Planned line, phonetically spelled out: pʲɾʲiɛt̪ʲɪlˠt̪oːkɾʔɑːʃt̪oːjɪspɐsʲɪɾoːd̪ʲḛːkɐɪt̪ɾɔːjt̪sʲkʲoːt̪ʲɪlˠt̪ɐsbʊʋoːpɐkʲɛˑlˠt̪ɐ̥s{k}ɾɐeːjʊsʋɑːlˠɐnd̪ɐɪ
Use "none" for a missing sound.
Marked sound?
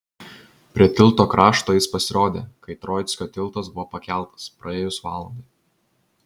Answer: p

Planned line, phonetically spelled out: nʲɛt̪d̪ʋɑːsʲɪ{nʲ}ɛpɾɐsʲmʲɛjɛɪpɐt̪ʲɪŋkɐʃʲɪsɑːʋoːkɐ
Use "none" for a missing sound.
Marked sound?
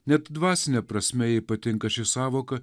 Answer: nʲ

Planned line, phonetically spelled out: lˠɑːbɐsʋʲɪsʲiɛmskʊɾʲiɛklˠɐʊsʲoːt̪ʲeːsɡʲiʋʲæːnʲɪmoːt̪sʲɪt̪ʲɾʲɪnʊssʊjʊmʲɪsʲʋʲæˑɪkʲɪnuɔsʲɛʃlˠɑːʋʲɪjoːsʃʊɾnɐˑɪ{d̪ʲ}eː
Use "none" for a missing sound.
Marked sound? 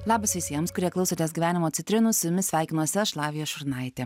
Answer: t̪ʲ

